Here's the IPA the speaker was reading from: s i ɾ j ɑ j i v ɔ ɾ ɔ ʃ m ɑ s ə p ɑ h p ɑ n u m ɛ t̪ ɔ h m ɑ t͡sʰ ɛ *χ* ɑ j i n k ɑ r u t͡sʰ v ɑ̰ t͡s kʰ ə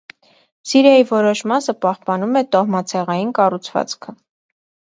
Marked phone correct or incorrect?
incorrect: ʁ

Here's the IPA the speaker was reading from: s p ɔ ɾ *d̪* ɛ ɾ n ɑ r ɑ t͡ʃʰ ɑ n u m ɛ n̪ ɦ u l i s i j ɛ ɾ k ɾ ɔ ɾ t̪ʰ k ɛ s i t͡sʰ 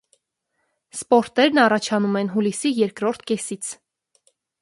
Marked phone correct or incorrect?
incorrect: t̪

